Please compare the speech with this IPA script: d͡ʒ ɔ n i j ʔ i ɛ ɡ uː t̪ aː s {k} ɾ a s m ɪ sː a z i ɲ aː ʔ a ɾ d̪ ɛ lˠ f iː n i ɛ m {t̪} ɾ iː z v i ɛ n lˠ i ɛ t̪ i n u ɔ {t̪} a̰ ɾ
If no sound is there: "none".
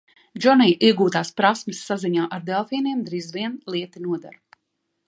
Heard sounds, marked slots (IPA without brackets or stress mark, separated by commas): p, d̪, d̪